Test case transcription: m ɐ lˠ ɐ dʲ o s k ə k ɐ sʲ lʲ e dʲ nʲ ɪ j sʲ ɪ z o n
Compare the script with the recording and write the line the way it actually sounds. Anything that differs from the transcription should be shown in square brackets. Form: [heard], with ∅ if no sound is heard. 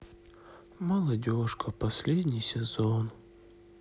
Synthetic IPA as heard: m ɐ lˠ ɐ dʲ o [ʂ] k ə [p] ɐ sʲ lʲ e dʲ nʲ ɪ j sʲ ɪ z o n

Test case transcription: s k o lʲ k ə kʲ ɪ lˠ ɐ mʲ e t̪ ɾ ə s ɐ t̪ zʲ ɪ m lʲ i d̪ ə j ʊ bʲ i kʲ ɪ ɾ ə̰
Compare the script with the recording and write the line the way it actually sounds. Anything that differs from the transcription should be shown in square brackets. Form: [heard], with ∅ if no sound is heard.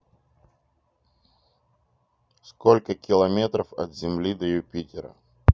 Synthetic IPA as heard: s k o lʲ k ə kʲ ɪ lˠ ɐ mʲ e t̪ ɾ ə [f] ɐ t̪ zʲ ɪ m lʲ i d̪ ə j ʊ [pʲ] i [tʲ] ɪ ɾ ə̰

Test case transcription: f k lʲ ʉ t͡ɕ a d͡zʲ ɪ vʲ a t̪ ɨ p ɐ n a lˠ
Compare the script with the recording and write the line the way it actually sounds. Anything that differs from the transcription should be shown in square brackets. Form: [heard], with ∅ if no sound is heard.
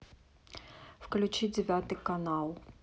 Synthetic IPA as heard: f k lʲ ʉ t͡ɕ [i] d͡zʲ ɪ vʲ a t̪ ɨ [k] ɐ n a lˠ

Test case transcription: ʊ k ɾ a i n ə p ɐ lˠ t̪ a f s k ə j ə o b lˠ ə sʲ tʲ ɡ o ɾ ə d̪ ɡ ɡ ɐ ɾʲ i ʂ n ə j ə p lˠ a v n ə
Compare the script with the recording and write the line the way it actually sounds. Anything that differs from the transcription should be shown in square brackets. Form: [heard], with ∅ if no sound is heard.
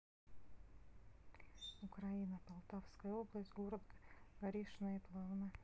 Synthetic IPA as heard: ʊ k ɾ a i n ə p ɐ lˠ t̪ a f s k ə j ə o b lˠ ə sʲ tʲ ɡ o ɾ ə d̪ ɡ ɡ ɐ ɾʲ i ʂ n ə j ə p lˠ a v n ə

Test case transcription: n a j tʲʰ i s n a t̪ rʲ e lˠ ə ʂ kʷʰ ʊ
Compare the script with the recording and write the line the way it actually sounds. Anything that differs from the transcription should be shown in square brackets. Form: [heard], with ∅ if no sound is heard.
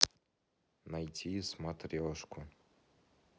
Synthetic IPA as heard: n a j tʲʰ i s [m] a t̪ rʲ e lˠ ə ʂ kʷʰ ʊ

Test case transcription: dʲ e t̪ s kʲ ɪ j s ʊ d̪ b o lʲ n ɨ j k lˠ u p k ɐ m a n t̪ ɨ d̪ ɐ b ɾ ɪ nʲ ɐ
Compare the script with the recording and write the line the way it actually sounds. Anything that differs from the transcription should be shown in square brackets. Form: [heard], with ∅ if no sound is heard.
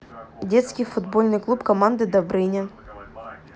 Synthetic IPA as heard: dʲ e t̪ s kʲ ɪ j [f] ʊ d̪ b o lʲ n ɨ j k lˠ u p k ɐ m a n [d̪] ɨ d̪ ɐ b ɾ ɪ nʲ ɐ

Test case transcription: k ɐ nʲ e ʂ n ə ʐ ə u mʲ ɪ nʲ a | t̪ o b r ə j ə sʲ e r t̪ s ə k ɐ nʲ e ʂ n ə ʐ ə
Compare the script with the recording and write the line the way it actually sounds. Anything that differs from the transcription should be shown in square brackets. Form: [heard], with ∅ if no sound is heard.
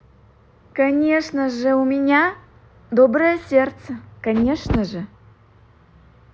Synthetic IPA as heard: k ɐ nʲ e ʂ n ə ʐ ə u mʲ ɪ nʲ a | [d̪] o b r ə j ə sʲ e r t̪ s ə k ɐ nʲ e ʂ n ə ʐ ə

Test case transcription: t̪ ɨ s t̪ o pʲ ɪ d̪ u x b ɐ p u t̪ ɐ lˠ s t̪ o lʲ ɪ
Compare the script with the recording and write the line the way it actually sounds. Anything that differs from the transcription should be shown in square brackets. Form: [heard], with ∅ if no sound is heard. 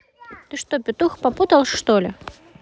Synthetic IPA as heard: t̪ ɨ [ʂ] t̪ o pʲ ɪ [t̪] u x [p] ɐ p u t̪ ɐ lˠ [ʂ] t̪ o lʲ ɪ

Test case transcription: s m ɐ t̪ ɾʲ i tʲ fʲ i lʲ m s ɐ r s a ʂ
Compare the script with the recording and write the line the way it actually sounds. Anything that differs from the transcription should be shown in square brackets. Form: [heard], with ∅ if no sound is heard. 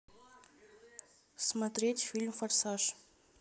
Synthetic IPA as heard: s m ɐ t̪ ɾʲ [e] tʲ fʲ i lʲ m [f] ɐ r s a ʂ

